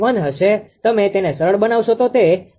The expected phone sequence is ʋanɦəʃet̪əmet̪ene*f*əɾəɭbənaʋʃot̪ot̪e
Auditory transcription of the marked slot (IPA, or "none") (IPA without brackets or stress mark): s